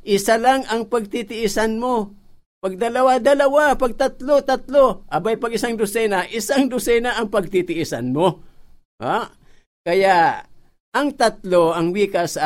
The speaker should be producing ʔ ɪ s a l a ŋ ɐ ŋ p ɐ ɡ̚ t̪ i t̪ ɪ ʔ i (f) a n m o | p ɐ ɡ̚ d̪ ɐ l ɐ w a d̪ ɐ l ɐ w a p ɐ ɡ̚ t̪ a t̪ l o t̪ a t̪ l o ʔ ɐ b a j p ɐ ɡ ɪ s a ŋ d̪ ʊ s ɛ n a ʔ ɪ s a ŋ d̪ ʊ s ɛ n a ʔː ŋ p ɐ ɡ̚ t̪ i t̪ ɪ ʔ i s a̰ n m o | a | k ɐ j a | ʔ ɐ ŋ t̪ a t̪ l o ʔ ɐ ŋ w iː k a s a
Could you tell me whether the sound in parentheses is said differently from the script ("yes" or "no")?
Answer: yes